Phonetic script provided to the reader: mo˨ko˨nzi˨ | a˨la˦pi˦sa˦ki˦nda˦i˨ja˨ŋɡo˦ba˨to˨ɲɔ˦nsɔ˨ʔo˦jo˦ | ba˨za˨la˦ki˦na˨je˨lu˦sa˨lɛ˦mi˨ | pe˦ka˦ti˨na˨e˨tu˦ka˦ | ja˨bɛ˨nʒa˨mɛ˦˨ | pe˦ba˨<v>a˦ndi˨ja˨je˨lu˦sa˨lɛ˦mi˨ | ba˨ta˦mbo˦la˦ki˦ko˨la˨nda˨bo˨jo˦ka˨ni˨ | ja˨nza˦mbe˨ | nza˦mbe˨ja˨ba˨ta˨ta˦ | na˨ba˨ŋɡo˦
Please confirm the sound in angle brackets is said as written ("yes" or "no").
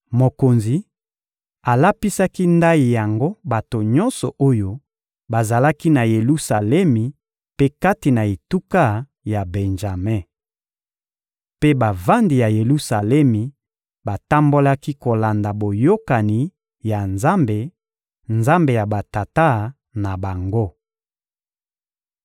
yes